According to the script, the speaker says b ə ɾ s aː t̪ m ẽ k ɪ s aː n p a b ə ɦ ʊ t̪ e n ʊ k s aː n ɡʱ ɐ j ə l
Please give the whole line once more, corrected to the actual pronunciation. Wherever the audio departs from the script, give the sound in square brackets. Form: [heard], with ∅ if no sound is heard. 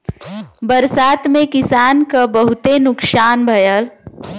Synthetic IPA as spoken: b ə ɾ s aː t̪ m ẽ k ɪ s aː n [k] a b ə ɦ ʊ t̪ e n ʊ k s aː n [bʱ] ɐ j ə l